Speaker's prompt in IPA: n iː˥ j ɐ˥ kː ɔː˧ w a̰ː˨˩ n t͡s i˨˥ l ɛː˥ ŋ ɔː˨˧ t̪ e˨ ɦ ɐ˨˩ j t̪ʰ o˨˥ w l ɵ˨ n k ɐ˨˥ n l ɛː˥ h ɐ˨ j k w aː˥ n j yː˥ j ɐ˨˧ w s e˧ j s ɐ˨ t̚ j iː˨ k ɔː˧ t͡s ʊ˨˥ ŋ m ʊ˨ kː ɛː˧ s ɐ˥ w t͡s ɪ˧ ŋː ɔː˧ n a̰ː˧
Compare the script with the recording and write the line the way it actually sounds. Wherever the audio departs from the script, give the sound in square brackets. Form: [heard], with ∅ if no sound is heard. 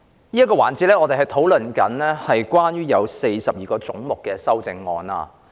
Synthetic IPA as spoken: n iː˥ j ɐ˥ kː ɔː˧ w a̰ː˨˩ n t͡s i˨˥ l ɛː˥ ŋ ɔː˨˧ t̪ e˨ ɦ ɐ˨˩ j t̪ʰ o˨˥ w l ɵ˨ n k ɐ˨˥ n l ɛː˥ h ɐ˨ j k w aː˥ n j yː˥ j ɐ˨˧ w s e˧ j s ɐ˨ [p̚] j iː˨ k ɔː˧ t͡s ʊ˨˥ ŋ m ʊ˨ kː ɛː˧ s ɐ˥ w t͡s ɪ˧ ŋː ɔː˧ n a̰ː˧

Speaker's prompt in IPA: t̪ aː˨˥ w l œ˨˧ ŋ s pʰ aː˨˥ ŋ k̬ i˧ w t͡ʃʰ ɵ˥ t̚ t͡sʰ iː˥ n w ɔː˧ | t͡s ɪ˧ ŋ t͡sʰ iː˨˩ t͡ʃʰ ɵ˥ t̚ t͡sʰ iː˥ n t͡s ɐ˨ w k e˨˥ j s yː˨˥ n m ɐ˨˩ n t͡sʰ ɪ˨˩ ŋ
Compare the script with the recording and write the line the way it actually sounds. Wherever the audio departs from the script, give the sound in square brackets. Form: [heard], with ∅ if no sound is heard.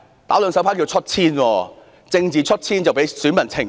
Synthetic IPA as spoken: t̪ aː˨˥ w l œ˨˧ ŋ s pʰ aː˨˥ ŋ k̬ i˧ w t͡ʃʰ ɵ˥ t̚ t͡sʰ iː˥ n w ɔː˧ | t͡s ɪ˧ ŋ [t͡s] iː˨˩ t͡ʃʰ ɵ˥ t̚ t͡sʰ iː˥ n t͡s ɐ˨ w [p] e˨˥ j s yː˨˥ n m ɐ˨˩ n t͡sʰ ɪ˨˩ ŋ

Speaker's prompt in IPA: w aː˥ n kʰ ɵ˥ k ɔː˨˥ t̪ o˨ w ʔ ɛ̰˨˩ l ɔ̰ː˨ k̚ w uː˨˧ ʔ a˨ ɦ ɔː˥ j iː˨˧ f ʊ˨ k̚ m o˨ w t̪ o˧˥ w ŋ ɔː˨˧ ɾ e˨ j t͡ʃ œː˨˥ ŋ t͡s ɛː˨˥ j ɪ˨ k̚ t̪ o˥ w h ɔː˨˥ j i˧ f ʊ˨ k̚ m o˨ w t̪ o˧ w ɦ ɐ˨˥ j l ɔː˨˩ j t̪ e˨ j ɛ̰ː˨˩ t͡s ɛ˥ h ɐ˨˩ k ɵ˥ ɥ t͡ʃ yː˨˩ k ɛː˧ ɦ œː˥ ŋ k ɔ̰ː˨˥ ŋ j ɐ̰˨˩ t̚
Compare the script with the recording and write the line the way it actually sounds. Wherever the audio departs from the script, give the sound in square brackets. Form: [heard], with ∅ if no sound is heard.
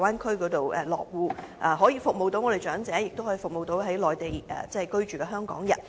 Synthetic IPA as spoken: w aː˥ n kʰ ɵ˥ k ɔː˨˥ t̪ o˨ w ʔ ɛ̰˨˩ l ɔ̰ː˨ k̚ w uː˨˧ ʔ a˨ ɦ [ɔː˨˥] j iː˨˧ f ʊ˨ k̚ m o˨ w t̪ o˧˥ w ŋ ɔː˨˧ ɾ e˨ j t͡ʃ œː˨˥ ŋ t͡s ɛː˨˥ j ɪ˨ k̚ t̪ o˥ w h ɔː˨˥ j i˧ f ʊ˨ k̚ m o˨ w t̪ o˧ w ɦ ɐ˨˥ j l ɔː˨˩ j t̪ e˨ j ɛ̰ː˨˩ t͡s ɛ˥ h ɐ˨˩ k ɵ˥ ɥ t͡ʃ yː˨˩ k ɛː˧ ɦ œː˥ ŋ k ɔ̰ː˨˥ ŋ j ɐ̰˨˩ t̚

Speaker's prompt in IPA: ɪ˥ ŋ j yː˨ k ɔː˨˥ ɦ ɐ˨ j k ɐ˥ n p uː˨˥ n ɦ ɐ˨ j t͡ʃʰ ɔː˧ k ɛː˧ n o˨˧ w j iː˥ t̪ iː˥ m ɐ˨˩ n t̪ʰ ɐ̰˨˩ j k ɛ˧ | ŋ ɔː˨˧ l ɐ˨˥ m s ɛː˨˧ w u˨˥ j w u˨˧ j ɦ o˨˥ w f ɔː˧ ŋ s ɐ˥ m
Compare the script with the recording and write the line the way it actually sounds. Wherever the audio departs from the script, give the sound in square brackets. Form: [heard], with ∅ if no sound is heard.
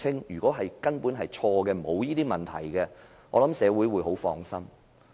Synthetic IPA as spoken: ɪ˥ ŋ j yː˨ k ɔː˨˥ ɦ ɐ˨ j k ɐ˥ n p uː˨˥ n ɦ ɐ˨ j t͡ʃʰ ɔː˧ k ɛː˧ [m] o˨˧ w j iː˥ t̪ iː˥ m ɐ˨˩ n t̪ʰ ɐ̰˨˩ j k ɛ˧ | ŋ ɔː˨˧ l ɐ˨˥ m s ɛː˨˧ w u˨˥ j w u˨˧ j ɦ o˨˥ w f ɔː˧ ŋ s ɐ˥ m

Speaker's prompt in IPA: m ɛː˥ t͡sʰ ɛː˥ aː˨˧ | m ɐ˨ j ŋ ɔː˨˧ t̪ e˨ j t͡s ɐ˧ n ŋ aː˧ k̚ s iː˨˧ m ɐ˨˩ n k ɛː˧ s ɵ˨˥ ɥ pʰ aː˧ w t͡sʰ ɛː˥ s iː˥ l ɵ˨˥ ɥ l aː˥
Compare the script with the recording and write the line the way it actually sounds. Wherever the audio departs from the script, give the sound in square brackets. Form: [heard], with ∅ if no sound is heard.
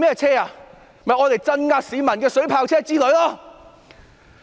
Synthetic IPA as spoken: m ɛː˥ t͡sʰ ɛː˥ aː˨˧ | m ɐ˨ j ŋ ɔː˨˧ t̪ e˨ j t͡s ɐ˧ n ŋ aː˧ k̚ s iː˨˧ m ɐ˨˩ n k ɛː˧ s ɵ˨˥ ɥ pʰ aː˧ w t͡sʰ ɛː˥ [t͡s] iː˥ l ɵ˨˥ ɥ l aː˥

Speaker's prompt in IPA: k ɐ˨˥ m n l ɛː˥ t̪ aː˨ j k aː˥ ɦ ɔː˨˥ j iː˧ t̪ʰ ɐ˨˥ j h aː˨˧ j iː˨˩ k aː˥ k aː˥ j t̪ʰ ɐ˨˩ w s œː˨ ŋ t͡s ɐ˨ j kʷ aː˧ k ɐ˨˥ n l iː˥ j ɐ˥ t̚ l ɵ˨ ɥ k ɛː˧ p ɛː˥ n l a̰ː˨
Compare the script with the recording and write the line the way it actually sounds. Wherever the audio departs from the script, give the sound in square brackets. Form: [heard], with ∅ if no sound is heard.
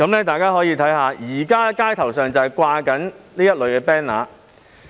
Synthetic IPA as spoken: k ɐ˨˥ m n l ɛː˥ t̪ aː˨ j k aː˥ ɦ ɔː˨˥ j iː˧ t̪ʰ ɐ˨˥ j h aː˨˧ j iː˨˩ k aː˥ k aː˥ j t̪ʰ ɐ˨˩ w s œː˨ ŋ t͡s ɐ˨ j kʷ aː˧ k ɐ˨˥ n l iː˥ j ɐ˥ t̚ l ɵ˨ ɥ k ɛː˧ p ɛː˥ n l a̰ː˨

